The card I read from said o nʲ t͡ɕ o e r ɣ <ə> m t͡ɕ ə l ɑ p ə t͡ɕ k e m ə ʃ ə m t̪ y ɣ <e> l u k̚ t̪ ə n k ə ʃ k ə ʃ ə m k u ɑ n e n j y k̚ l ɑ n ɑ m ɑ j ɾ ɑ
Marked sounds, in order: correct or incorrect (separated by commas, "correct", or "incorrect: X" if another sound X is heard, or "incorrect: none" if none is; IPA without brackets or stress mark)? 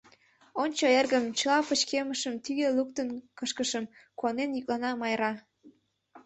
correct, correct